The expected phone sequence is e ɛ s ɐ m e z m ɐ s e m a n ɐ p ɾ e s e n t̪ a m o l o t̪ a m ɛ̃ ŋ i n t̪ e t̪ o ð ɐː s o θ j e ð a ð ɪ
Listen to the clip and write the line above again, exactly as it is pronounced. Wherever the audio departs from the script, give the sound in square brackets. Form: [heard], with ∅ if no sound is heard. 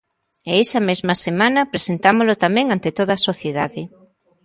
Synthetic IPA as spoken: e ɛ s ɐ m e z m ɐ s e m a n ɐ p ɾ e s e n t̪ a m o l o t̪ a m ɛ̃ ŋ [a] n t̪ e t̪ o ð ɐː s o θ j e ð a ð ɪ